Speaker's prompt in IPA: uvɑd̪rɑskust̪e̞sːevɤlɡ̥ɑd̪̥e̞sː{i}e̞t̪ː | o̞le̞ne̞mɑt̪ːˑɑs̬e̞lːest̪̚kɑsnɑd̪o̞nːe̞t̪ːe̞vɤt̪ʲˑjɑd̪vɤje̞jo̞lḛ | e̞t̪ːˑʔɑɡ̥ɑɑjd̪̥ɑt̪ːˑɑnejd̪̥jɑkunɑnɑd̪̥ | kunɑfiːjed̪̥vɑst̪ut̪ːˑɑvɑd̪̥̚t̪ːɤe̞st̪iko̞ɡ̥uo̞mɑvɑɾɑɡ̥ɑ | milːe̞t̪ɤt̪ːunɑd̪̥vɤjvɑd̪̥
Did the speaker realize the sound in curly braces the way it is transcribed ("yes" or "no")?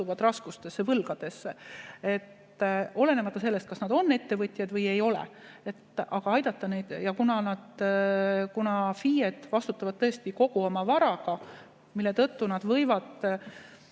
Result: no